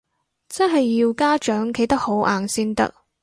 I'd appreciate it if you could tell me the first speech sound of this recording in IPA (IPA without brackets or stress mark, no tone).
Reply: t͡s